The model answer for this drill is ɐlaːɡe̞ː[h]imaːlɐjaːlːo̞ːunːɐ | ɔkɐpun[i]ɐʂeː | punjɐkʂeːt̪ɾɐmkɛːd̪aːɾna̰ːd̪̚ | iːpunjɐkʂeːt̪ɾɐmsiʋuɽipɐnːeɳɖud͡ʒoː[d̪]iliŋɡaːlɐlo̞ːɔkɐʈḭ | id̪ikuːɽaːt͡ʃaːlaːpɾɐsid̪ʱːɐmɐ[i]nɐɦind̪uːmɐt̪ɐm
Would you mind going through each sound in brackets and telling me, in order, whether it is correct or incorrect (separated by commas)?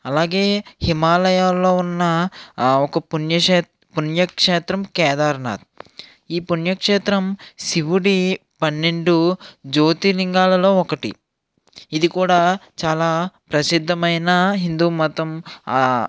correct, incorrect, incorrect, incorrect